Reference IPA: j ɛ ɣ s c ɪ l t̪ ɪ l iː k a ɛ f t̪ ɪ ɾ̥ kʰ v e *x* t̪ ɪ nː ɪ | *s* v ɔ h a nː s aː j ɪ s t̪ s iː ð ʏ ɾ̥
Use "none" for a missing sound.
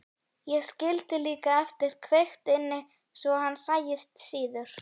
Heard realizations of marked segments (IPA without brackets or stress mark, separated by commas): x, s